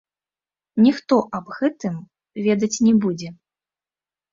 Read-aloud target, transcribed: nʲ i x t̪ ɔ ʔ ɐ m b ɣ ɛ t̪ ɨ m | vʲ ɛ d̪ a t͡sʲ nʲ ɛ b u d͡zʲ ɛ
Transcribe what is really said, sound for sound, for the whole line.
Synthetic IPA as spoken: nʲ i x t̪ ɔ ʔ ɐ b ɣ ɛ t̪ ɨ m | vʲ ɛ d̪ ɐ t͡sʲ nʲ ɛ b u d͡zʲ ɛ